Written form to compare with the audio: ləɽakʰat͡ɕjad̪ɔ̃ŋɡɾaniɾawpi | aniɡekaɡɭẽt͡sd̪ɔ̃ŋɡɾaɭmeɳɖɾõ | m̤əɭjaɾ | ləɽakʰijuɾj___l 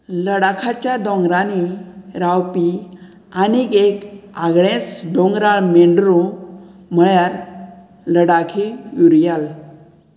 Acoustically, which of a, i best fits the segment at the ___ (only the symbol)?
a